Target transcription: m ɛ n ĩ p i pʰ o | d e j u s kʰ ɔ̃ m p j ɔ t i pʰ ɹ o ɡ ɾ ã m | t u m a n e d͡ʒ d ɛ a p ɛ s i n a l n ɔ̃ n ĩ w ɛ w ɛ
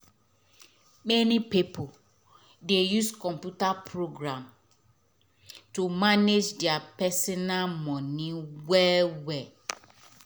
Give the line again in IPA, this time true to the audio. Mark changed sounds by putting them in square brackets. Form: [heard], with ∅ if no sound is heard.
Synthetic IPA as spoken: m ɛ n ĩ p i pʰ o | d e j u s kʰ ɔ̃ m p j [u] t [a] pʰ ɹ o ɡ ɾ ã m | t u m a n e d͡ʒ d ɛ a p ɛ s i n a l [m] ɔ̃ n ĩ w ɛ w ɛ